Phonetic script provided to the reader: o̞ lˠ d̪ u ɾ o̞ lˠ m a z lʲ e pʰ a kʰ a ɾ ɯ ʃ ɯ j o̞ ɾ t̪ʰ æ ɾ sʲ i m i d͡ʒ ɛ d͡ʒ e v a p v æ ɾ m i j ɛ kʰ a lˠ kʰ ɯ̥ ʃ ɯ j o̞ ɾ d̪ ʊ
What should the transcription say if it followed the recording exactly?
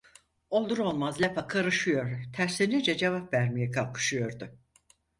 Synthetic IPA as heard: o̞ lˠ d̪ u ɾ o̞ lˠ m a z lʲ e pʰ a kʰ a ɾ ɯ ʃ ɯ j o̞ ɾ t̪ʰ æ ɾ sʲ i n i d͡ʒ ɛ d͡ʒ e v a p v æ ɾ m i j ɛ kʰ a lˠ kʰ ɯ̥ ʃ ɯ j o̞ ɾ d̪ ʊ